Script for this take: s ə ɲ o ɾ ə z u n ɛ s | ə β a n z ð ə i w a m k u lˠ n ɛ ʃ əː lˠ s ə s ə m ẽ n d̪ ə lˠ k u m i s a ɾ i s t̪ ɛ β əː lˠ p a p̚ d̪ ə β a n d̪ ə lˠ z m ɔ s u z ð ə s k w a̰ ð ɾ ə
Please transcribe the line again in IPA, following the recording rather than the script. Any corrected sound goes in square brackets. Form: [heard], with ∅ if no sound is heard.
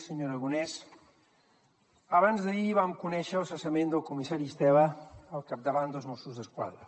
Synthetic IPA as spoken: s ə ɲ o ɾ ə [ɣ] u n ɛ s | ə β a n z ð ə i [β] a m k u [∅] n ɛ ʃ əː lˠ s ə s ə m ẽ n d̪ ə lˠ k u m i s a ɾ i s t̪ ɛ β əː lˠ [k] a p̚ d̪ ə β a n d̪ ə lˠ z m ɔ s u z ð ə s k w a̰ ð ɾ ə